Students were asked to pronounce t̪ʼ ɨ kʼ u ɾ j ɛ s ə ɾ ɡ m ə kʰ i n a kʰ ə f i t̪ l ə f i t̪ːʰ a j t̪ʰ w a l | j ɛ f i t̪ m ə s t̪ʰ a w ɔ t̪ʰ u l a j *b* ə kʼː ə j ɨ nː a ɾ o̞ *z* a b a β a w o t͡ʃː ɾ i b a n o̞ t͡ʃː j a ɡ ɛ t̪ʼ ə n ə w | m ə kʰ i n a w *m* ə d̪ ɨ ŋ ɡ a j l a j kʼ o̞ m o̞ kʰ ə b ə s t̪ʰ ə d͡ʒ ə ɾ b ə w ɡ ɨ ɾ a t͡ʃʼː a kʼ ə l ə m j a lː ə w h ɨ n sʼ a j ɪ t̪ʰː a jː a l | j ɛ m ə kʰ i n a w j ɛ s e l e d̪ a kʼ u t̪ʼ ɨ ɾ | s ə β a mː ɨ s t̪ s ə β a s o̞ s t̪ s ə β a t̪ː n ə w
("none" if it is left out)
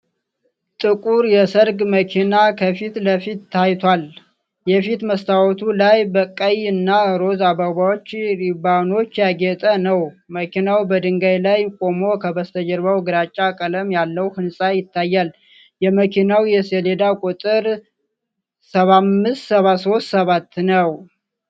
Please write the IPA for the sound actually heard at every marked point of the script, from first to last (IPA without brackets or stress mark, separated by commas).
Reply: b, z, b